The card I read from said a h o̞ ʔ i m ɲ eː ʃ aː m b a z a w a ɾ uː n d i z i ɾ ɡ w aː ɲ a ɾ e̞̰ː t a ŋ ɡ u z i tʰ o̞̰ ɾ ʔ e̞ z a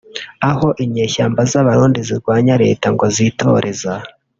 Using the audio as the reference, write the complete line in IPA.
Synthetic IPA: a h o̞ ʔ i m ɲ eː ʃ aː m b a z a β a ɾ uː n d i z i ɾ ɡ w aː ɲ a ɾ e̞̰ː t a ŋ ɡ o z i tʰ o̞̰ ɾ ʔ e̞ z a